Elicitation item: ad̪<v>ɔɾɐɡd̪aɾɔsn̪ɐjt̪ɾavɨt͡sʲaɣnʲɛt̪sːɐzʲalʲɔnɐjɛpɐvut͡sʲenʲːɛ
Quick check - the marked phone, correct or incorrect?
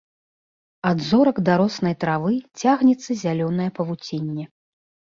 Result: incorrect